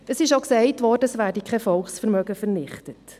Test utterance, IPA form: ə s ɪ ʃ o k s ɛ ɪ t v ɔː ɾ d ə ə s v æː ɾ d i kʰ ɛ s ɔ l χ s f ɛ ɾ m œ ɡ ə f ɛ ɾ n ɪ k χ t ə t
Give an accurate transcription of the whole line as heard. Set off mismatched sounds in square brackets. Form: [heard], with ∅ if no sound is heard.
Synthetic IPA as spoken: ə s ɪ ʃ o k s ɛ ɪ t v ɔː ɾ d ə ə s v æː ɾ d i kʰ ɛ [f] ɔ l χ s f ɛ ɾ m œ ɡ ə f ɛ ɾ n ɪ [∅] χ t ə t